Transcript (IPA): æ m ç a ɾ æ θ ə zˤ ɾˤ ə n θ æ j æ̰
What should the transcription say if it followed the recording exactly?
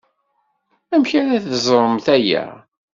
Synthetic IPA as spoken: æ m ç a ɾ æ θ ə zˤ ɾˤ ə m θ æ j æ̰